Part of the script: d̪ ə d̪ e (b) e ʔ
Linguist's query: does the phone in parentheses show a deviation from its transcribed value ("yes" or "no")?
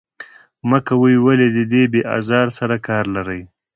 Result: no